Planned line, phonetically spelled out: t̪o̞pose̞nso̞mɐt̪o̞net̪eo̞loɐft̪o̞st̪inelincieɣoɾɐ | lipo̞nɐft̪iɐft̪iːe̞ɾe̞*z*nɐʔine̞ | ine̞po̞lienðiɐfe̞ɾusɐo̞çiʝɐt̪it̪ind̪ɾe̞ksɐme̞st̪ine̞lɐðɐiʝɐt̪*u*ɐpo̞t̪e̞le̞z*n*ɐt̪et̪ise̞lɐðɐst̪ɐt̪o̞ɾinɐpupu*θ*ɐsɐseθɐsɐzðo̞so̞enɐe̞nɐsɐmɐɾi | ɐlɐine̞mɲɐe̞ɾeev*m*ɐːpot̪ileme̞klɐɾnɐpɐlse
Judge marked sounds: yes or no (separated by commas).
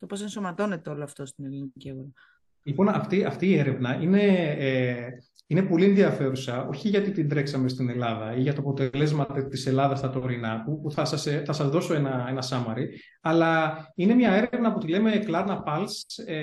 no, no, no, yes, no